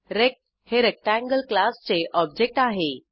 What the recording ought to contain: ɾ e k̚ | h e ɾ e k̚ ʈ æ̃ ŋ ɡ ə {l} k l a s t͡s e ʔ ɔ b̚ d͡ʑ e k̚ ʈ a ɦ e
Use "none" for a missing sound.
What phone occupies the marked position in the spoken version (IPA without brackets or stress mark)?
l